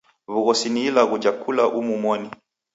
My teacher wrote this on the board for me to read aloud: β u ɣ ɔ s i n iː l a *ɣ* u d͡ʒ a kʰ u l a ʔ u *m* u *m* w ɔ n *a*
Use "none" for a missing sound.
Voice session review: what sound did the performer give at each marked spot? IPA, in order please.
ɣ, m, m, i

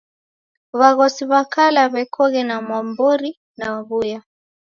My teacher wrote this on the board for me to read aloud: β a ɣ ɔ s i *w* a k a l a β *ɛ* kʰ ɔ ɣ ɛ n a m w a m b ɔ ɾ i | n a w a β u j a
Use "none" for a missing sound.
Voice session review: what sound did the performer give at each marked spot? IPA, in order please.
β, ɛ

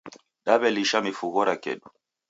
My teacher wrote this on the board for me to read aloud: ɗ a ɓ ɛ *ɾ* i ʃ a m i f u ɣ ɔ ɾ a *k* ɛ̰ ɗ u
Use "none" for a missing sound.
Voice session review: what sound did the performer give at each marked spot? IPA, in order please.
l, k

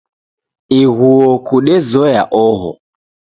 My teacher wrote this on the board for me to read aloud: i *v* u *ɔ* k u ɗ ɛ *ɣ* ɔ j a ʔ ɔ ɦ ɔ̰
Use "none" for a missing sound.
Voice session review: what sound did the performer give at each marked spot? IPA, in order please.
ɣ, ɔ, z

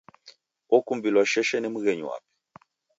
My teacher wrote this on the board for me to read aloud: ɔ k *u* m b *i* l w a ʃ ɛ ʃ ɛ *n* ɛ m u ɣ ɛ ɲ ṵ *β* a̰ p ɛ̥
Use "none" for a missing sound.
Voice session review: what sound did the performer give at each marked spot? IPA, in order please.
u, i, n, w

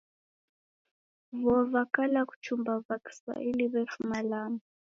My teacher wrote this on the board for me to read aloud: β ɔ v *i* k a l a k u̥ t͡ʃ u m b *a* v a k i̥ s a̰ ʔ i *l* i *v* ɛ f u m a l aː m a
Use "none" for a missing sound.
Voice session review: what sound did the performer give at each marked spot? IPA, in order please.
a, a, l, β

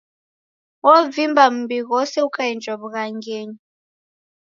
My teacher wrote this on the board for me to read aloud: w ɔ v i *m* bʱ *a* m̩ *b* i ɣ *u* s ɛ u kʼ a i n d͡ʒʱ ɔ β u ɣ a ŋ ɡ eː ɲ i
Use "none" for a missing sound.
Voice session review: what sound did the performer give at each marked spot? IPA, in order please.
m, a, b, ɔ

